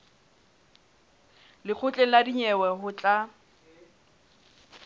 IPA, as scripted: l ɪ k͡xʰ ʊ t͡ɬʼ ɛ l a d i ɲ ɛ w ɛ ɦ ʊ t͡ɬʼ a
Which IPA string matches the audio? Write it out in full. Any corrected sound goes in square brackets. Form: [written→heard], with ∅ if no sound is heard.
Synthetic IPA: l ɪ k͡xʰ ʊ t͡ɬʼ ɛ l a d i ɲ ɛ w ɛ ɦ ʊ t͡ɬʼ a